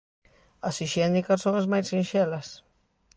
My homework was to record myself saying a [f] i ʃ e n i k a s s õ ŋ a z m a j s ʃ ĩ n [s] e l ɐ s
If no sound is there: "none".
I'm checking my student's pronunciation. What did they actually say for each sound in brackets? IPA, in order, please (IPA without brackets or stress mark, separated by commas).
s, ʃ